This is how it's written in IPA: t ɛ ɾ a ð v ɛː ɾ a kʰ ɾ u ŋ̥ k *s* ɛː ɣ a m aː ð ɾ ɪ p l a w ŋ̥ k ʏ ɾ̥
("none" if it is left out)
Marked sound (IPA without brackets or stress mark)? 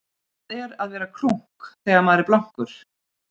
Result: θ